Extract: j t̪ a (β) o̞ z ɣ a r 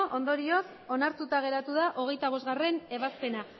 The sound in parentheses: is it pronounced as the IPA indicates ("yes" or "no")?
yes